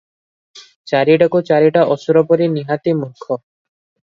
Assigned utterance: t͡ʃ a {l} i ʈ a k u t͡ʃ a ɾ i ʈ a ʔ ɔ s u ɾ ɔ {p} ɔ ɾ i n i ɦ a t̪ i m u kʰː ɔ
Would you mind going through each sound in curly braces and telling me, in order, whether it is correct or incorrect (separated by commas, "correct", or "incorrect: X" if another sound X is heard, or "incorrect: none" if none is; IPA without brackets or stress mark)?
incorrect: ɾ, correct